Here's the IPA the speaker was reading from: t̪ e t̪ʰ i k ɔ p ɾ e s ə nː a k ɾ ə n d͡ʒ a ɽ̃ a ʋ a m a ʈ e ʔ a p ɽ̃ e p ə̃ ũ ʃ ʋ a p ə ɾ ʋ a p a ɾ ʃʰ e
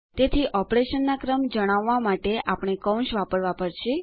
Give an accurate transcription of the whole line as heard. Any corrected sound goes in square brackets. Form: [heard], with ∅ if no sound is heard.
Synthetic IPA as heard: t̪ e t̪ʰ i [ʔ] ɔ p ɾ e [ʃ] ə nː a k ɾ ə [m] d͡ʒ [ə] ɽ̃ a [ʋː] a m a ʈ e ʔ a p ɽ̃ e [k] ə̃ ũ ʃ ʋ a p ə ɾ ʋ a p [ə] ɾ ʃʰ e